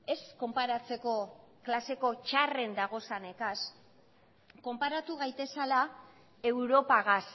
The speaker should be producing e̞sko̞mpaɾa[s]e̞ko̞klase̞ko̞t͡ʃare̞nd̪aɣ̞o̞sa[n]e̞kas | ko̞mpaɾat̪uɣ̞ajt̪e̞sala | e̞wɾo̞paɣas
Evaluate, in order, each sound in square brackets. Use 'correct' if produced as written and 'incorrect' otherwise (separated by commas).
incorrect, correct